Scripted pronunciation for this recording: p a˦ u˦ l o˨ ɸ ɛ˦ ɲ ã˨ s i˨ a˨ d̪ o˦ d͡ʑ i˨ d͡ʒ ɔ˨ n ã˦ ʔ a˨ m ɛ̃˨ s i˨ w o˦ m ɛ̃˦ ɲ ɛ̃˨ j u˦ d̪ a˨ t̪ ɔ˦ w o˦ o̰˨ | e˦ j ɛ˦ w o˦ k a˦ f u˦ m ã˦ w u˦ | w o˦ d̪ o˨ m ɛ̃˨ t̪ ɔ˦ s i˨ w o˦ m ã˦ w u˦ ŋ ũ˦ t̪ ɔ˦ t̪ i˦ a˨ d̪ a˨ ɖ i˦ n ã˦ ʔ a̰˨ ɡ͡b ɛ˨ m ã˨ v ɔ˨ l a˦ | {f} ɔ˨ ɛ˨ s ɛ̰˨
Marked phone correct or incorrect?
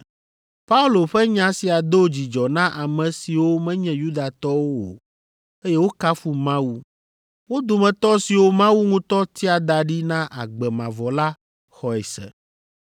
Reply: incorrect